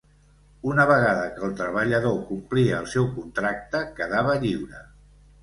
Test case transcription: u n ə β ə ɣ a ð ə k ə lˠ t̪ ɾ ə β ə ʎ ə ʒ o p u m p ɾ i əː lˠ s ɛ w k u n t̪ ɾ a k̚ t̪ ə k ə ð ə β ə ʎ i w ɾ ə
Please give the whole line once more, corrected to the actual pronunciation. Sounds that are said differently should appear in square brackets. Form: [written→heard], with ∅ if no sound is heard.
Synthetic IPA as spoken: u n ə β ə ɣ a ð ə k ə lˠ t̪ ɾ ə β ə ʎ ə [ʒ→ð] o [p→k] u m p [ɾ→l] i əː lˠ s ɛ w k u n t̪ ɾ a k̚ t̪ ə k ə ð [ə→a] β ə ʎ i w ɾ ə

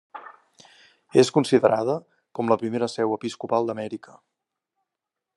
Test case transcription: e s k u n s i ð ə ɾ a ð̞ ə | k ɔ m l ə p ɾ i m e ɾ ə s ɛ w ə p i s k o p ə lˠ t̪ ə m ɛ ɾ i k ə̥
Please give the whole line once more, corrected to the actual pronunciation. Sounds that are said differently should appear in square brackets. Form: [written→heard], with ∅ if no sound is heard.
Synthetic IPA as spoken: e s k u n s i ð ə ɾ a ð̞ ə | k ɔ m l ə p ɾ i m e ɾ ə s ɛ w ə p i s k [o→u] p [ə→a] lˠ [t̪→d̪] ə m ɛ ɾ i k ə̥

